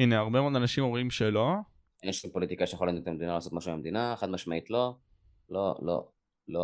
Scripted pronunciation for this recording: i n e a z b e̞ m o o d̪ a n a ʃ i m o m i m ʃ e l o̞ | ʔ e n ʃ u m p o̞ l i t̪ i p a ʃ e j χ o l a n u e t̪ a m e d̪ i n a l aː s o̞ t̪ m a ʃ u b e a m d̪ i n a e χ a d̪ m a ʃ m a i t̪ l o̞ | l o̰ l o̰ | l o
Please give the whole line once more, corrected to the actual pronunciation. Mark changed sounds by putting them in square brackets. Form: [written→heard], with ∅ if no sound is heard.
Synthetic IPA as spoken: i n e a [z→ʁ] b e̞ m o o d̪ a n a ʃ i m o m i m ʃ e l o̞ | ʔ e n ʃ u m p o̞ l i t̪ i [p→k] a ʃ e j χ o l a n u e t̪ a m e d̪ i n a l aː s o̞ t̪ m a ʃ u [b→m] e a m d̪ i n a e χ a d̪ m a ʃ m a i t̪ l o̞ | l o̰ l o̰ | l o